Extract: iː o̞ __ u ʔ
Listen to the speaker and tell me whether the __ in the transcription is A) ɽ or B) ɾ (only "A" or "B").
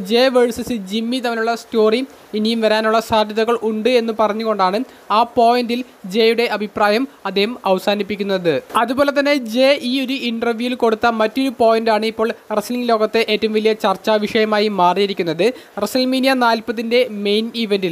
B